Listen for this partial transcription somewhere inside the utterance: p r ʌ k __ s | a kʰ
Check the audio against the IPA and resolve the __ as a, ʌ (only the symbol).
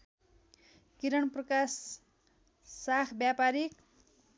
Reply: a